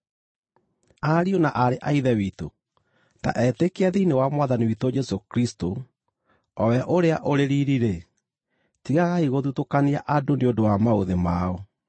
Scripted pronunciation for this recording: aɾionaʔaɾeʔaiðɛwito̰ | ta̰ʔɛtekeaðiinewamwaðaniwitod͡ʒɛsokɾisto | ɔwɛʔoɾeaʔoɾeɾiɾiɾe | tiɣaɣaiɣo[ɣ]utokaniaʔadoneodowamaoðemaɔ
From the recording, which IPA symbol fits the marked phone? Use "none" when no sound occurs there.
ð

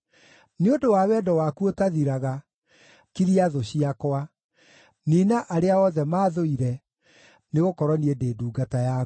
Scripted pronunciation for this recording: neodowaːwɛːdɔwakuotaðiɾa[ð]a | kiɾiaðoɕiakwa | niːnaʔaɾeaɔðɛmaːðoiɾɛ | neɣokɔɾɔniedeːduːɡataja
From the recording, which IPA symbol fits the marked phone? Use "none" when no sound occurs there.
ɣ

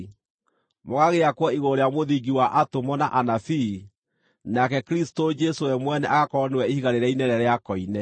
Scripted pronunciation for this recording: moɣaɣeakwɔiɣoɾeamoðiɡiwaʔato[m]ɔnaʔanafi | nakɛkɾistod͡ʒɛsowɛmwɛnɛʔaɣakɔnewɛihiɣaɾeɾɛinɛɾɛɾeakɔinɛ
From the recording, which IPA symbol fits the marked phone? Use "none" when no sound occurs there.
m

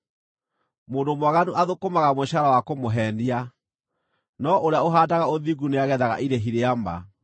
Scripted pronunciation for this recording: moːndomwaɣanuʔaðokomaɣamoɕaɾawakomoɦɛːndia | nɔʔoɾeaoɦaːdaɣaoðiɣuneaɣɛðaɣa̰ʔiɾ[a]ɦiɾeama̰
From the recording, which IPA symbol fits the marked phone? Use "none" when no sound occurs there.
e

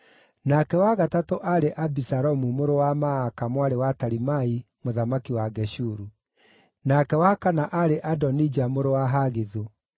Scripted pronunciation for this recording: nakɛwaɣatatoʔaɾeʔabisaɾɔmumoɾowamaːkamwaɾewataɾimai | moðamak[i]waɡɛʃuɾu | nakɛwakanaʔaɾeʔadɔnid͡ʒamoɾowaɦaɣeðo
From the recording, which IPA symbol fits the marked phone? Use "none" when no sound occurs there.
i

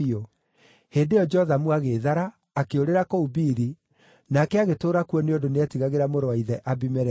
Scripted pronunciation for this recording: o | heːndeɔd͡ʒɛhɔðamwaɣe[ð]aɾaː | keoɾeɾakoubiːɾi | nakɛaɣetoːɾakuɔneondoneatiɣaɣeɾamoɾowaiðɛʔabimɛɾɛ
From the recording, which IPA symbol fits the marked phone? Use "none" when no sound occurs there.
ð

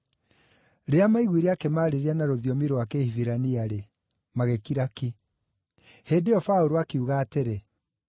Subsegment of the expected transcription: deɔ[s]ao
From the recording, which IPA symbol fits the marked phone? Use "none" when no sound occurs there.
f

